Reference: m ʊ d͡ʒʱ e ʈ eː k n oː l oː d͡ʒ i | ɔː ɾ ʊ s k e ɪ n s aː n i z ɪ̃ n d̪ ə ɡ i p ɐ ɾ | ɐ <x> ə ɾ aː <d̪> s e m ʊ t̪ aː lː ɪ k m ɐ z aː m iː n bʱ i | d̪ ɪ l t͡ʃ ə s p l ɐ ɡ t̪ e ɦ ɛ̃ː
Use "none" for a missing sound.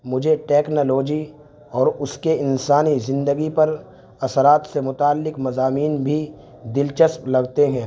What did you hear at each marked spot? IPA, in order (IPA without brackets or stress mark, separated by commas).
s, t̪